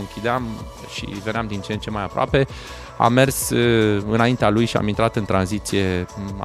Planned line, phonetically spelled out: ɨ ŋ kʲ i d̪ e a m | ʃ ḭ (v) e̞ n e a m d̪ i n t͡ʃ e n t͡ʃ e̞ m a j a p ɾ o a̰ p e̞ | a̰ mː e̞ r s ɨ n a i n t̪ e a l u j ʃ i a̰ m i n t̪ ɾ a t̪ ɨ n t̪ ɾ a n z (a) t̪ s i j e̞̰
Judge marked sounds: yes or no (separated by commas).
yes, no